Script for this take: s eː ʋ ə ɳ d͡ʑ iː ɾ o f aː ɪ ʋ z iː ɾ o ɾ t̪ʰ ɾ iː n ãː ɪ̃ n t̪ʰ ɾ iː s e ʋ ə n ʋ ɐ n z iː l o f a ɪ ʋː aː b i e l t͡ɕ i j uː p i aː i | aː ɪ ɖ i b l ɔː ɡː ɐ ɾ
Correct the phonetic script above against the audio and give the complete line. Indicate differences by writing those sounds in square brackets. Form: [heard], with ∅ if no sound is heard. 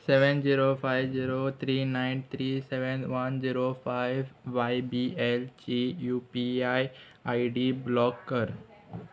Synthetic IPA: s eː ʋ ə [n] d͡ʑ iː ɾ o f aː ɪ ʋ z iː ɾ o [∅] t̪ʰ ɾ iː n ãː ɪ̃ n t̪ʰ ɾ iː s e ʋ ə n ʋ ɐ n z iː [ɾ] o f a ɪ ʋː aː b i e l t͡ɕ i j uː p i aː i | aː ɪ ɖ i b l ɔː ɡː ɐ ɾ